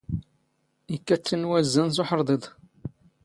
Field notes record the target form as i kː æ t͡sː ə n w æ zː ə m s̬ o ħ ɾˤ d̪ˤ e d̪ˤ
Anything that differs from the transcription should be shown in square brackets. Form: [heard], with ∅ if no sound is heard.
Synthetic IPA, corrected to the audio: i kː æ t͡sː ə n w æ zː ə [n] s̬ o ħ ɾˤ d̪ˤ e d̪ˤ